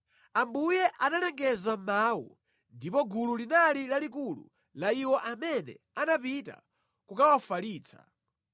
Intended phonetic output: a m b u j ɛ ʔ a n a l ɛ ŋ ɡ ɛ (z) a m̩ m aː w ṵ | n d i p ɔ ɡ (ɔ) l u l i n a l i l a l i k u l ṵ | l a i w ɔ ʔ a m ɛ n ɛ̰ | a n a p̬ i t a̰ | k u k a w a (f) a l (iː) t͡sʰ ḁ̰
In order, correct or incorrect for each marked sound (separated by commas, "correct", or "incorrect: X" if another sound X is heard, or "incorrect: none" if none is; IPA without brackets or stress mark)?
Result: correct, incorrect: u, correct, correct